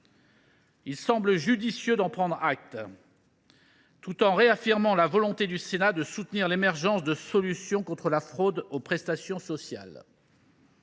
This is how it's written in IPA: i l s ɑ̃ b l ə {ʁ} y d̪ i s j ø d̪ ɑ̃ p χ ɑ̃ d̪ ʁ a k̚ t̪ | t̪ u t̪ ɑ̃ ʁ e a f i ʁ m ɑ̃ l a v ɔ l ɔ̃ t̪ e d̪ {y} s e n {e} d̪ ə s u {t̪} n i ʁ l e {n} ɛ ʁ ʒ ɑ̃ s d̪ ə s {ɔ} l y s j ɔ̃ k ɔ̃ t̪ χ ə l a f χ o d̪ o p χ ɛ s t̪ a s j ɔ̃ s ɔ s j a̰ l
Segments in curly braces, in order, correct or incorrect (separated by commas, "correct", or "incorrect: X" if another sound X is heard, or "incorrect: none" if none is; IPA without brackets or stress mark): incorrect: ʒ, correct, incorrect: a, correct, incorrect: m, correct